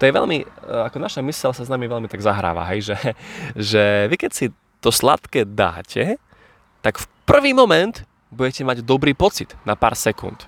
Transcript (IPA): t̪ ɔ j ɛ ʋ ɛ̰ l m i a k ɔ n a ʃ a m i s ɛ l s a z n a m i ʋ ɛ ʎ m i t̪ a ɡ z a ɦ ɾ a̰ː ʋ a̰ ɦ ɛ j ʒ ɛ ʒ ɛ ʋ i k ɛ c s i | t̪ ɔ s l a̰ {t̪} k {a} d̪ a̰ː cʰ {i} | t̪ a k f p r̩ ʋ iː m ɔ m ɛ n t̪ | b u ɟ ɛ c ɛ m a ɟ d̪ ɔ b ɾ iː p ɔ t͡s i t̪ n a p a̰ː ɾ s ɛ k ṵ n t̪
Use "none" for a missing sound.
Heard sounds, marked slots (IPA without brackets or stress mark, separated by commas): t̪, ɛ, ɛ